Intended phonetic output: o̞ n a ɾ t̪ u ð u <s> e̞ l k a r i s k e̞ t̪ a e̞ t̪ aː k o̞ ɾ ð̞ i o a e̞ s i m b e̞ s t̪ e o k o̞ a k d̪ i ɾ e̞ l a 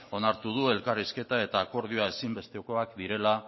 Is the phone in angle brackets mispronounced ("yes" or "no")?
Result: yes